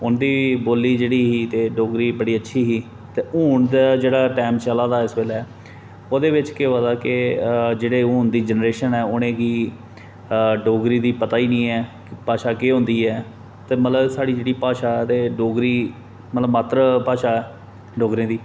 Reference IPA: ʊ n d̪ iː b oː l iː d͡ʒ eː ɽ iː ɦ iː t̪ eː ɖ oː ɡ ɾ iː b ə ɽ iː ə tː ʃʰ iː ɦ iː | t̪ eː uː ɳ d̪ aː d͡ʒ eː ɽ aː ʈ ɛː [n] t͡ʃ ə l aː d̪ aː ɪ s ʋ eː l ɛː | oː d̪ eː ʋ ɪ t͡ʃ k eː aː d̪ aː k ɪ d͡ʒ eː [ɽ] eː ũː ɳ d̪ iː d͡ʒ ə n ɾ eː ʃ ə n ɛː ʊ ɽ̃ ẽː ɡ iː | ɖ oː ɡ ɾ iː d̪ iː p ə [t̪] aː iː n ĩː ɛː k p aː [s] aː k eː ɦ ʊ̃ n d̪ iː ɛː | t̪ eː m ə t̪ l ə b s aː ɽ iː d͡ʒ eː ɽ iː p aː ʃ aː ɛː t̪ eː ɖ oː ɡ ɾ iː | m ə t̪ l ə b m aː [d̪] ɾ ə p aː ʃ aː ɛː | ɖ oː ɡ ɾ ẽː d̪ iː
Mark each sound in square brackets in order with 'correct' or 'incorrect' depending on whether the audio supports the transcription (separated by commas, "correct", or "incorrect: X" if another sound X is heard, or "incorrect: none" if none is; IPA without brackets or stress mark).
incorrect: m, correct, correct, incorrect: ʃ, incorrect: t̪